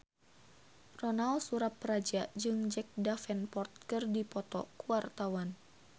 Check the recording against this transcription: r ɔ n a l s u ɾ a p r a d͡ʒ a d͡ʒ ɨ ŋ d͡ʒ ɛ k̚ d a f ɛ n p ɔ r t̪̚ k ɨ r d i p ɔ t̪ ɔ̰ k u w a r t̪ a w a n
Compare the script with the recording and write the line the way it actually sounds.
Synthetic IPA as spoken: r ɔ n a l s u ɾ a p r a d͡ʒ a d͡ʒ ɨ ŋ d͡ʒ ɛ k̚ d a f ɛ n p ɔ r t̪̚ k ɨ r d i p ɔ t̪ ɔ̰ k u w a r t̪ a w a n